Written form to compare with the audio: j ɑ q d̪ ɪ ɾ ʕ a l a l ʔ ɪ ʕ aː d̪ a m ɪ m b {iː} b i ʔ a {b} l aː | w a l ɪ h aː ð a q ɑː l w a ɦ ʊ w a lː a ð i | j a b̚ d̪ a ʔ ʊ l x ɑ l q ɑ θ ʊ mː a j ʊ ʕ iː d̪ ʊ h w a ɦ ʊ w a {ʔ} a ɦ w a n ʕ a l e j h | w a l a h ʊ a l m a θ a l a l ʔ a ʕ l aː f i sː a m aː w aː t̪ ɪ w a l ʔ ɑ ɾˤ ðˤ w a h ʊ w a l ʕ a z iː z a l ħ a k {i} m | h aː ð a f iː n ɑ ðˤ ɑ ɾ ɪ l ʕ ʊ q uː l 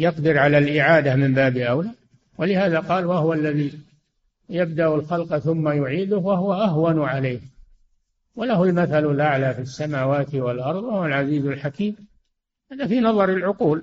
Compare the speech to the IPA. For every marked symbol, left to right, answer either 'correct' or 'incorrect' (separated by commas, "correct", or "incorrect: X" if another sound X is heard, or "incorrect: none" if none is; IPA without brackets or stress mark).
incorrect: aː, incorrect: w, correct, incorrect: iː